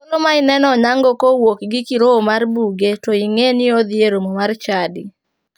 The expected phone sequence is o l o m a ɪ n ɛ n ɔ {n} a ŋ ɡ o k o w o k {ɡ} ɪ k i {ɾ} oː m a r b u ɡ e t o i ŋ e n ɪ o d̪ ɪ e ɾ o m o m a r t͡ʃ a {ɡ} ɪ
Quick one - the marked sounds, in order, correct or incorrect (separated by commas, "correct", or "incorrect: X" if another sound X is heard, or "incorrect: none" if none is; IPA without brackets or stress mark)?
incorrect: ɲ, correct, correct, incorrect: d